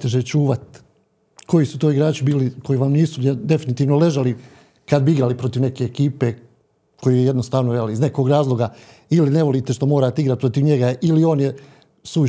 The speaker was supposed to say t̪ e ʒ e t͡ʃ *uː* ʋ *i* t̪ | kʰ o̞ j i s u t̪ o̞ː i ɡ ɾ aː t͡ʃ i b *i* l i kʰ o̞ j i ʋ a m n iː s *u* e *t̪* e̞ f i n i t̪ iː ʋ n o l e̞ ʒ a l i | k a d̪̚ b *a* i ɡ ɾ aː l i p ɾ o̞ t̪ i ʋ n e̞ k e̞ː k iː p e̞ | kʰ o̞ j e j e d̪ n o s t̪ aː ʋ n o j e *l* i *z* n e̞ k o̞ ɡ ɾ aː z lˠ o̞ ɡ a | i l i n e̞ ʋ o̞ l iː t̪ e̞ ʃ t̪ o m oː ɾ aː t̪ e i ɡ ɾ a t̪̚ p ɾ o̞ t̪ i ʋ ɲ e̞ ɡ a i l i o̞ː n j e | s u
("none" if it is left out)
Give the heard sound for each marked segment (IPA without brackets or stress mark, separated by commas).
uː, a, iː, u, d̪, i, l, z